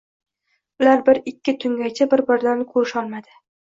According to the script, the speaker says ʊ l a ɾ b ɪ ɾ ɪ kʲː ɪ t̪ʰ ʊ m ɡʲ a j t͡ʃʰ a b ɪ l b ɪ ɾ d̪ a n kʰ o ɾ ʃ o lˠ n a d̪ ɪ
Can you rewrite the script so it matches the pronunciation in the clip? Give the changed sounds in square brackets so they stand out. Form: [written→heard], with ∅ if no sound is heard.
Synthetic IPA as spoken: ʊ l a ɾ b ɪ ɾ ɪ kʲː ɪ t̪ʰ ʊ [m→ŋ] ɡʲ a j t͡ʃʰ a b ɪ [l→ɾ] b ɪ ɾ d̪ a n kʰ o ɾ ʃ [o→ɒ] lˠ [n→m] a d̪ ɪ